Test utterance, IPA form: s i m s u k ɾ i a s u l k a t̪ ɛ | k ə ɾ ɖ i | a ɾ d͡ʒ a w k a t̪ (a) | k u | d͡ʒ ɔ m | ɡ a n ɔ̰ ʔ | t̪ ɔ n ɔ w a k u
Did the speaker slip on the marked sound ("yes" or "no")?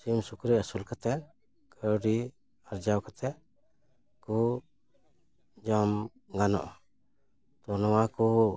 yes